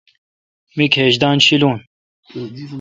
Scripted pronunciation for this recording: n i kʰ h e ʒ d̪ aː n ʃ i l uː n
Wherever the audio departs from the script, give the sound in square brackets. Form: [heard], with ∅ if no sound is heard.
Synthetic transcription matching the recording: [m] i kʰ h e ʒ d̪ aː n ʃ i l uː n